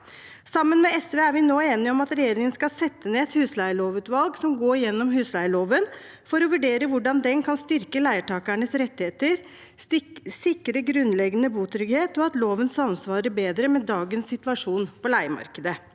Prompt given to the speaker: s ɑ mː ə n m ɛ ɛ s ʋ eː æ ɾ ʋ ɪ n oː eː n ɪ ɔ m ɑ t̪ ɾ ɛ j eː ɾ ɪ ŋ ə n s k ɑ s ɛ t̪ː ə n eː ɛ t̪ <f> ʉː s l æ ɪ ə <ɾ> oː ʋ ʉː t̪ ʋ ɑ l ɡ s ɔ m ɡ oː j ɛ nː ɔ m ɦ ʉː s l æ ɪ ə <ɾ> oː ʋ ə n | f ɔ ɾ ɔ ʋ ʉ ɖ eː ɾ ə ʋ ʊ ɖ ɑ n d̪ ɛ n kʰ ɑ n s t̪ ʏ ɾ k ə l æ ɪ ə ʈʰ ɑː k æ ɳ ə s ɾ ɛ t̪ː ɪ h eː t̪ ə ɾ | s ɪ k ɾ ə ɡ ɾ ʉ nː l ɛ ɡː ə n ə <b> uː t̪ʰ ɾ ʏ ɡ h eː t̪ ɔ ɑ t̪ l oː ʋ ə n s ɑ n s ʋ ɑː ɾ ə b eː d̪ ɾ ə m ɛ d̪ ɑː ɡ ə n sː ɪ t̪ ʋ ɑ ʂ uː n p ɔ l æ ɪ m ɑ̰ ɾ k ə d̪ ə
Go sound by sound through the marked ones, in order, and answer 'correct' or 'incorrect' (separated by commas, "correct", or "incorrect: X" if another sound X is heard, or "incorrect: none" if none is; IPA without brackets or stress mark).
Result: incorrect: h, incorrect: ɭ, incorrect: ɭ, correct